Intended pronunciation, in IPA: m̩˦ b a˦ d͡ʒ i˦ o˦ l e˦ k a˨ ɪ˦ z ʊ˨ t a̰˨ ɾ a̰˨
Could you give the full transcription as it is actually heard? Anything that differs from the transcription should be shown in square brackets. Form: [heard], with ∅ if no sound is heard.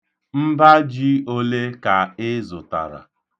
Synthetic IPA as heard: m̩˦ b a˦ d͡ʒ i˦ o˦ l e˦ k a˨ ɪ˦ z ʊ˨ t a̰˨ ɾ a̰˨